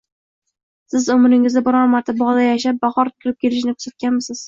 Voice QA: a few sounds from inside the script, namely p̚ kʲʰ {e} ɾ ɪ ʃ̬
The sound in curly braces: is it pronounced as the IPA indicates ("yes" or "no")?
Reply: yes